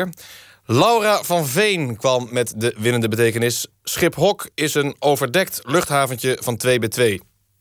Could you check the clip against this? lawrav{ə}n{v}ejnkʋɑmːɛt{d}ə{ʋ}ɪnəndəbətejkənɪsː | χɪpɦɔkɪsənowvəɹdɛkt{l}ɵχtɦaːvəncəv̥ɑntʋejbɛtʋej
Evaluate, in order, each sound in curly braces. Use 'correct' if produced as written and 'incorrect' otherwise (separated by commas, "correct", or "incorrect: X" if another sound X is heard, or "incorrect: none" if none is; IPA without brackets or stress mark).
incorrect: ɑ, correct, correct, correct, correct